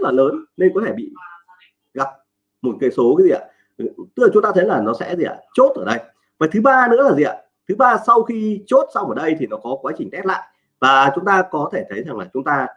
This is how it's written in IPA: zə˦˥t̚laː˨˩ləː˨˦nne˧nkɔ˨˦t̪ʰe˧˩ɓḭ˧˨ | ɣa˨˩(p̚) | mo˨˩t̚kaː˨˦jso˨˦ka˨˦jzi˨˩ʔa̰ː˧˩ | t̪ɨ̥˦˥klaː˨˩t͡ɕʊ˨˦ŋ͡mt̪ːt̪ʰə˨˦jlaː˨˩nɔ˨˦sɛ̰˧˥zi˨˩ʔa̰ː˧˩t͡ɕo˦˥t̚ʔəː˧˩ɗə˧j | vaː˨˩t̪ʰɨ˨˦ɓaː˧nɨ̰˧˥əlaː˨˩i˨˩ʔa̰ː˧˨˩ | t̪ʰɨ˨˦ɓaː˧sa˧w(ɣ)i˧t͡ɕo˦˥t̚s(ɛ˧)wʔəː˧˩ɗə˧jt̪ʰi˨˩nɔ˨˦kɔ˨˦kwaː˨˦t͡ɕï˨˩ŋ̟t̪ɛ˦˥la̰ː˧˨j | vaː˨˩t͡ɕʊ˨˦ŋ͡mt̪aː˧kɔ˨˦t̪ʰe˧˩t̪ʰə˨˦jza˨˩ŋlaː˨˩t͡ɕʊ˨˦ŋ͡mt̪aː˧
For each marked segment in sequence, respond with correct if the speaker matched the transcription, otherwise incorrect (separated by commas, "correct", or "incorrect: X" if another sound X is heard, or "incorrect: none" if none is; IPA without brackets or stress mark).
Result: correct, incorrect: x, incorrect: a˧